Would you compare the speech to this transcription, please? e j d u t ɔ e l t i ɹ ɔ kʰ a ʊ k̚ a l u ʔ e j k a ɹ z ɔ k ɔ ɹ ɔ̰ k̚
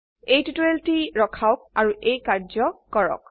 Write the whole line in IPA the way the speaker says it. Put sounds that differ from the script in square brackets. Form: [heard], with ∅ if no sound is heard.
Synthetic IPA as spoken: e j [t] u t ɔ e l t i ɹ ɔ kʰ a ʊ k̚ a [ɹ] u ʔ e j k a ɹ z ɔ k ɔ ɹ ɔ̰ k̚